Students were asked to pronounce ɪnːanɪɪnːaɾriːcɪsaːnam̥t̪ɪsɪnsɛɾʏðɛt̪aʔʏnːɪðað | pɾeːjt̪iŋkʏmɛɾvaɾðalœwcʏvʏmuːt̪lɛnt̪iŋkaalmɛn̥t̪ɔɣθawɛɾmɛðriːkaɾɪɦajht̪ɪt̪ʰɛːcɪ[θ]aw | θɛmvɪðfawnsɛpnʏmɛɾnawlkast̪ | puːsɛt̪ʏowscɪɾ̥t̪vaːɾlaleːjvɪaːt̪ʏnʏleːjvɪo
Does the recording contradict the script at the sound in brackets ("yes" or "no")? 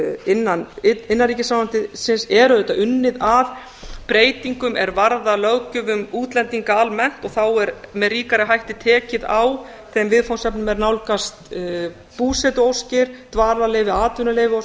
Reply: yes